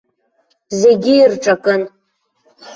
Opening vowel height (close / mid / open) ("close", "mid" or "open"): mid